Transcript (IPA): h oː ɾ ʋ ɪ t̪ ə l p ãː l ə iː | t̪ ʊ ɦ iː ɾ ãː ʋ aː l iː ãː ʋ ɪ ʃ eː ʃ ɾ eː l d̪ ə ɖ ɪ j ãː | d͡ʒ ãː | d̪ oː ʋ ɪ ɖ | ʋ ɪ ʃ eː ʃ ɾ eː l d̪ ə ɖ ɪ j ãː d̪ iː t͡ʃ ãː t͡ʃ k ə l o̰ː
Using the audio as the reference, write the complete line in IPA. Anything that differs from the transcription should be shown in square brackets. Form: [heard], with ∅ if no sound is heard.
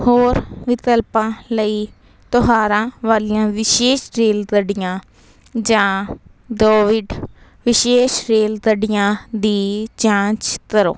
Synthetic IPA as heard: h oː ɾ ʋ ɪ t̪ ə l p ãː l ə iː | t̪ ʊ ɦ [aː] ɾ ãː ʋ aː l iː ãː ʋ ɪ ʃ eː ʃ ɾ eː l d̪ ə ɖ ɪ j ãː | d͡ʒ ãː | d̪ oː ʋ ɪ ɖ | ʋ ɪ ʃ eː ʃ ɾ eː l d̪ ə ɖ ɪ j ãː d̪ iː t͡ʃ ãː t͡ʃ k ə [ɾ] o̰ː